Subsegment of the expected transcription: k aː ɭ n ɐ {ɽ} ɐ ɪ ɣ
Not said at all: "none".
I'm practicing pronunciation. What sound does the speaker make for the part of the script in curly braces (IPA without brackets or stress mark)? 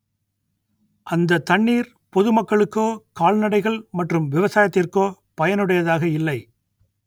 ɽ